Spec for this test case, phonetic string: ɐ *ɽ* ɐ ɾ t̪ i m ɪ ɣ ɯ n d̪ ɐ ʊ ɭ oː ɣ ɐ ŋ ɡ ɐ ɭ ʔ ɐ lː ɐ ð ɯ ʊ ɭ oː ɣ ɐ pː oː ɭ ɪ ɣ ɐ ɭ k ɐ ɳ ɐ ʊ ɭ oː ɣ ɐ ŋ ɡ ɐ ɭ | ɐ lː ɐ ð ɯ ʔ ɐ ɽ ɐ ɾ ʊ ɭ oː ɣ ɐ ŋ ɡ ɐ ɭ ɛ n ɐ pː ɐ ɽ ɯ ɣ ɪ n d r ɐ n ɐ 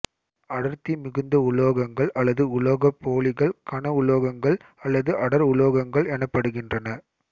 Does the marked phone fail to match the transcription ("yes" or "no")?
no